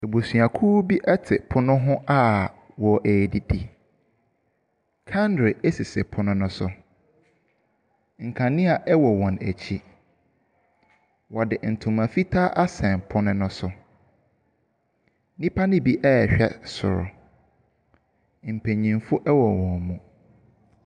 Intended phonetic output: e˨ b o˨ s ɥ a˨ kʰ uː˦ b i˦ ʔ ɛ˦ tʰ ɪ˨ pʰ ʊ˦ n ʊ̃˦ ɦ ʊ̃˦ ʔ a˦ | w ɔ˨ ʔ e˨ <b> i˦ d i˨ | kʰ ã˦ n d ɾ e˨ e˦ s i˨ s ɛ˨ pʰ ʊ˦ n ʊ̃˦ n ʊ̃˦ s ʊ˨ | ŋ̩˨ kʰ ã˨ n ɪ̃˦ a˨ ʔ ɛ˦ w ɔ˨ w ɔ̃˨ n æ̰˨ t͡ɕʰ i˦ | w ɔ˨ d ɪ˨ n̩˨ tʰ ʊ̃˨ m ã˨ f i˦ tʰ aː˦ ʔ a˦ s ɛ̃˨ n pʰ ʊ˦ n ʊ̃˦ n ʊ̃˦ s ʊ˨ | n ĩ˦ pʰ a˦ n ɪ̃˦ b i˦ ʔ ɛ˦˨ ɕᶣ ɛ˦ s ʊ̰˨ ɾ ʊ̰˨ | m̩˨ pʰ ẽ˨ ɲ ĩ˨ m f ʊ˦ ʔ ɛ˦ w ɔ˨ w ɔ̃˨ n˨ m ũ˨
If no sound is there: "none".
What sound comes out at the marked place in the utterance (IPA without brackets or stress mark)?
d